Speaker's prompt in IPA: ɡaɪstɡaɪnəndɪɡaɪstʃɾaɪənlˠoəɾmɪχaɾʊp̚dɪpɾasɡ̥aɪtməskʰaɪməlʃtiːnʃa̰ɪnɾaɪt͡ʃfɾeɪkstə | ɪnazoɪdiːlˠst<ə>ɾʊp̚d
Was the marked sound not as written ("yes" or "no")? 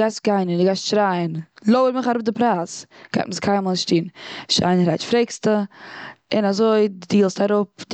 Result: yes